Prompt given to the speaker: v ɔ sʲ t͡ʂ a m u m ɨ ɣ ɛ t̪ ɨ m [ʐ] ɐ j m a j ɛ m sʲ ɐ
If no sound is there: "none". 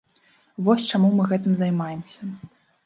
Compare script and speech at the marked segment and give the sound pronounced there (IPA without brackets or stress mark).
z